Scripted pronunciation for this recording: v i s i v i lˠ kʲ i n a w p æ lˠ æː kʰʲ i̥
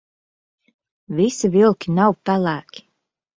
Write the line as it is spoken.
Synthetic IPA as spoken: v i s i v i lˠ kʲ i n a w p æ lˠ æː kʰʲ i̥